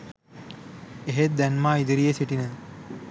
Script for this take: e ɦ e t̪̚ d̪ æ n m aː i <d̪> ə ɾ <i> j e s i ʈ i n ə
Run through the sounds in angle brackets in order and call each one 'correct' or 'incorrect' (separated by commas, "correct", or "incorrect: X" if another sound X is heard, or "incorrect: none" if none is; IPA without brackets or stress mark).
correct, correct